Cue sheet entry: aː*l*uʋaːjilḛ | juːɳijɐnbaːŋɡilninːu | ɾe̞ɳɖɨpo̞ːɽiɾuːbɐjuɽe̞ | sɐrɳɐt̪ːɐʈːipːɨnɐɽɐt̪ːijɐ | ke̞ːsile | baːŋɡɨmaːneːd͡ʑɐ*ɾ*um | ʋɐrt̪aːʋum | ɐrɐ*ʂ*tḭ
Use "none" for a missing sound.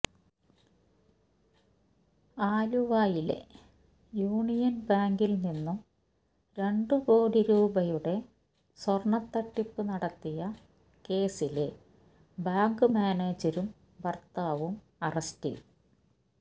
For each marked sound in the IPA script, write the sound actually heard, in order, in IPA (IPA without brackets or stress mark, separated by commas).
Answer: l, ɾ, s